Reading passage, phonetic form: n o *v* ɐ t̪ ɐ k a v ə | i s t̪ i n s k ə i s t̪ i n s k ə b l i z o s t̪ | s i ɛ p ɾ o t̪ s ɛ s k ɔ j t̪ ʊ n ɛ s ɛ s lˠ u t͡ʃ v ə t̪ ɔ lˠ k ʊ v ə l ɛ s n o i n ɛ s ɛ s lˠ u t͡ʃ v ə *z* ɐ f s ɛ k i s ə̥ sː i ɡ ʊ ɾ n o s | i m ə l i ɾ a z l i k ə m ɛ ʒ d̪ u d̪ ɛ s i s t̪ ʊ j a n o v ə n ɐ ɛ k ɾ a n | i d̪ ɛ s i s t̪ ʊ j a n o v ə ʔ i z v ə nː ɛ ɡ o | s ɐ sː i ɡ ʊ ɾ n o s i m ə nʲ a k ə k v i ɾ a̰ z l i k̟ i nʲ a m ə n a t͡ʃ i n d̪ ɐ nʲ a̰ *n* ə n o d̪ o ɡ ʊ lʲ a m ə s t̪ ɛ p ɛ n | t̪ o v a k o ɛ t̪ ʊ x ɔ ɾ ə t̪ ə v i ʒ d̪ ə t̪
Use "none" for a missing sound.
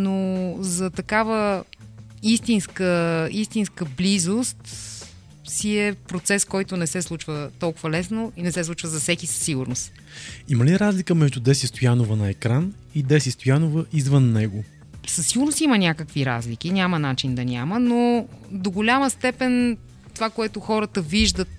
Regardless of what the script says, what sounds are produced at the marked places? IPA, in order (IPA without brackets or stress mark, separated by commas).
z, z, m